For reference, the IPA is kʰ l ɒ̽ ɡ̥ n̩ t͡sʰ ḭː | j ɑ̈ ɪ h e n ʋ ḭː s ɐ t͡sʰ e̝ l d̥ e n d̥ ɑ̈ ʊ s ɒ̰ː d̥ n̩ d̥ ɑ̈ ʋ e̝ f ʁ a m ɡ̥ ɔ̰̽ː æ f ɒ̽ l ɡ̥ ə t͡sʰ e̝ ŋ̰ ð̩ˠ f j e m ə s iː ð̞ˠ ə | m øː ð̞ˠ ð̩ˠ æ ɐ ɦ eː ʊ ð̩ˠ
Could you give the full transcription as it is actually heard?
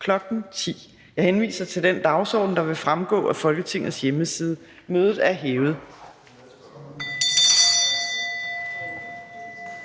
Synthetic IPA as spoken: kʰ l ɒ̽ ɡ̥ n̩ t͡sʰ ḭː | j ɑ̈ ɪ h e n ʋ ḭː s ɐ t͡sʰ e̝ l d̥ e n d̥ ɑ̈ ʊ s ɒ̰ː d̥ n̩ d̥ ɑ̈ ʋ e̝ f ʁ a m ɡ̥ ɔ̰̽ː æ f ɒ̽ l ɡ̥ ə t͡sʰ e̝ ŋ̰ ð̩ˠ s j e m ə s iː ð̞ˠ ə | m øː ð̞ˠ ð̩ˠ æ ɐ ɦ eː ʊ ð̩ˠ